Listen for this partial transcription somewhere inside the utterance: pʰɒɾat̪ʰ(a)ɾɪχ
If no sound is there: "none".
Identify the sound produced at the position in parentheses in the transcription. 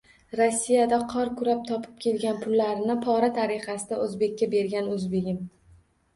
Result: a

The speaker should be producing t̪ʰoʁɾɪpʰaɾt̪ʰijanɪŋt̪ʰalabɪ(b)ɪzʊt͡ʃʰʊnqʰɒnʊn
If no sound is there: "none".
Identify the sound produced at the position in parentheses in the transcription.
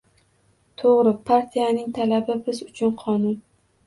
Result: b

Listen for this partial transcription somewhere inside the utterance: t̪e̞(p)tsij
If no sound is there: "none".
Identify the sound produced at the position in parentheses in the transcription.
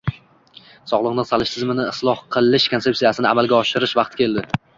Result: p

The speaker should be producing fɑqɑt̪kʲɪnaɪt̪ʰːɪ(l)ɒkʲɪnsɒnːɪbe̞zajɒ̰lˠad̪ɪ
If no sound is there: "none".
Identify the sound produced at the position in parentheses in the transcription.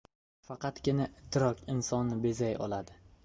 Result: ɾ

